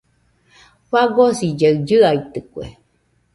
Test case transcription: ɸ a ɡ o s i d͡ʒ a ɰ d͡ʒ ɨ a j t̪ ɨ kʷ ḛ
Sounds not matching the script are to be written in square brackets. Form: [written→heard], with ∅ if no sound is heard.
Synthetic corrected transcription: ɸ a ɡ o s i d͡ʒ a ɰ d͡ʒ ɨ a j t̪ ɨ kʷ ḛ